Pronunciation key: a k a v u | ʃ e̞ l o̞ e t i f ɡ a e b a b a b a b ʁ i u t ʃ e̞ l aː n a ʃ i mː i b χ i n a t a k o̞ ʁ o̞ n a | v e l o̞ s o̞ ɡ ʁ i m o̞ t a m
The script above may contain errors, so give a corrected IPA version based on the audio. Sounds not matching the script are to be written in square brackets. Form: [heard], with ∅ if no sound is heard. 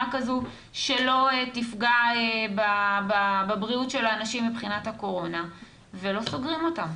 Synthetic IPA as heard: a k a [z] u | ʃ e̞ l o̞ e t i f ɡ a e b a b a b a b ʁ i u t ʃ e̞ l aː n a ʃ i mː i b χ i n a t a k o̞ ʁ o̞ n a | v e l o̞ s o̞ ɡ ʁ i m o̞ t a m